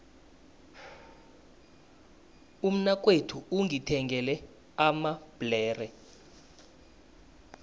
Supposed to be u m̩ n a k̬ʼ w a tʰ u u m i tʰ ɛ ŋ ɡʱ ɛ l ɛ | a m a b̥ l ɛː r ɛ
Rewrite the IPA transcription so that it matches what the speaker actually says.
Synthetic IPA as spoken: u m̩ n a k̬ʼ w e tʰ u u ŋ i tʰ ɛ ŋ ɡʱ ɛ l ɛ | a m a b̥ l ɛː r ɛ